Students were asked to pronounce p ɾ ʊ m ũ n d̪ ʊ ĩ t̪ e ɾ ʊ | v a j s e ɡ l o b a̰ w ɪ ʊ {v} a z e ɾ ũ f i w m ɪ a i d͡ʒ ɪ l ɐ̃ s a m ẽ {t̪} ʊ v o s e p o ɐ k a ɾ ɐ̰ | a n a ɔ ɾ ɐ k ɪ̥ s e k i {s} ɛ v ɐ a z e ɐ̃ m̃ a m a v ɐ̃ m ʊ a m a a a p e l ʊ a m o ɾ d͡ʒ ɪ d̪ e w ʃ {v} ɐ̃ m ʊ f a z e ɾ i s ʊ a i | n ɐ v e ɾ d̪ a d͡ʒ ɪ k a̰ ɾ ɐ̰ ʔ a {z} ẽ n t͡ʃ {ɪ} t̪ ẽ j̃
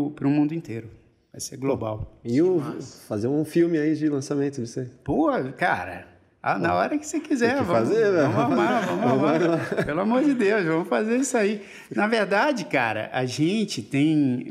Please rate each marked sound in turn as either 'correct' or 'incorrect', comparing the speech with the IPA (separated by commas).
incorrect, correct, incorrect, correct, incorrect, correct